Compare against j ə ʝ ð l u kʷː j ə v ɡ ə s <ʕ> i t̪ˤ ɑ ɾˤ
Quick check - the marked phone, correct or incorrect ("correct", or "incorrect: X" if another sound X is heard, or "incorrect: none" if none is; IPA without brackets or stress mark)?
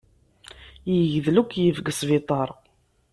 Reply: incorrect: v